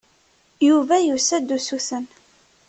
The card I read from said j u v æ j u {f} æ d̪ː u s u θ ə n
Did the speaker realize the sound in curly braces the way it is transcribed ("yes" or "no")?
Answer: no